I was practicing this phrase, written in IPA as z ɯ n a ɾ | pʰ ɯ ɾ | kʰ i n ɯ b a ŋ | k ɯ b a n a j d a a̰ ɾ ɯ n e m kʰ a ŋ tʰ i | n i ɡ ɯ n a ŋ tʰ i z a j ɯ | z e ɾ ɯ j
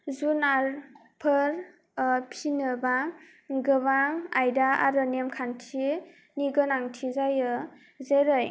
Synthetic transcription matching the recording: z u n a ɾ | pʰ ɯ ɾ | pʰ i n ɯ b a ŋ | ɡ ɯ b a ŋ a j d a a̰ ɾ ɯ n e m kʰ a n tʰ i | n i ɡ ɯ n a ŋ tʰ i z a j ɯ | z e ɾ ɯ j